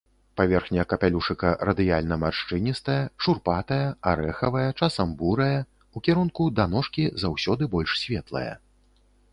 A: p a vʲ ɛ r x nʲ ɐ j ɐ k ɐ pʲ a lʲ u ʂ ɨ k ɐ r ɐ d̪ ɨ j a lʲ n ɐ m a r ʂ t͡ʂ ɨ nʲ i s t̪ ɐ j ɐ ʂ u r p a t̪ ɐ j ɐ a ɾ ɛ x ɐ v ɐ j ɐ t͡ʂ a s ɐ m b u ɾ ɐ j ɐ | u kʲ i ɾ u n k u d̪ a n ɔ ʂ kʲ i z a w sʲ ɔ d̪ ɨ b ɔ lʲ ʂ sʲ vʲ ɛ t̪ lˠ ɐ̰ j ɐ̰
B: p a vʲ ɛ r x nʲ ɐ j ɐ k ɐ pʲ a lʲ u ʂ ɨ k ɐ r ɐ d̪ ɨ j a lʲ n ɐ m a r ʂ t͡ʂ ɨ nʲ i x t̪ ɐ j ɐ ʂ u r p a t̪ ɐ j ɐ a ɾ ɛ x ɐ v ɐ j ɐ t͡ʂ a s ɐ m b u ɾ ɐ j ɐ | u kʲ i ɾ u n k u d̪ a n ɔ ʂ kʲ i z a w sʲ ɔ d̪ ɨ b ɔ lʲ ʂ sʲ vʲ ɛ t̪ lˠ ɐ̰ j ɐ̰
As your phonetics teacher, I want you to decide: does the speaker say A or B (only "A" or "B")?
A